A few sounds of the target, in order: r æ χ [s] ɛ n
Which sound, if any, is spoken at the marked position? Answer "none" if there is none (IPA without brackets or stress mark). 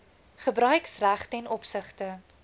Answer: t